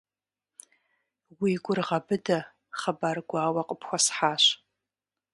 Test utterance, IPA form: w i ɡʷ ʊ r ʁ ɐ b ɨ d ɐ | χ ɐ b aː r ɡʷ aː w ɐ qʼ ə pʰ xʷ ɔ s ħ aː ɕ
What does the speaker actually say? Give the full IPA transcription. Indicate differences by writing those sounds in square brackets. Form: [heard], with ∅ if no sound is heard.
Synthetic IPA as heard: w i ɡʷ ʊ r ʁ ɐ b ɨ d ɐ | χ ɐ b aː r ɡʷ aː w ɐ qʼ ə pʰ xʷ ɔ s ħ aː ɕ